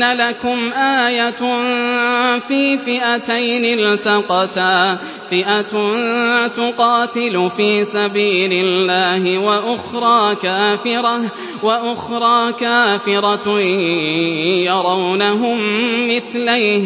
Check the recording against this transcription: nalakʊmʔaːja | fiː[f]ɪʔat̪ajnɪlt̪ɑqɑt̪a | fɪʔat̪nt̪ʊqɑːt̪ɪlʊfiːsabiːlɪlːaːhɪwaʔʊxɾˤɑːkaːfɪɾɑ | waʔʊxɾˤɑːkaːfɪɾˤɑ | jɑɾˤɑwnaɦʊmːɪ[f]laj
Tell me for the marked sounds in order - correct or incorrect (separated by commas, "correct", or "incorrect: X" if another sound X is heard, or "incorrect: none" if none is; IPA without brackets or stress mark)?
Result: correct, incorrect: θ